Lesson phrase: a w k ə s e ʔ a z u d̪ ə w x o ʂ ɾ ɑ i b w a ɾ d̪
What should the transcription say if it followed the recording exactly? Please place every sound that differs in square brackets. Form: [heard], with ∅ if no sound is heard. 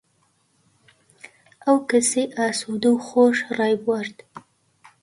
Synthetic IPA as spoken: a w k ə s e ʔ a [s] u d̪ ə w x o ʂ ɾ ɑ [j] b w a ɾ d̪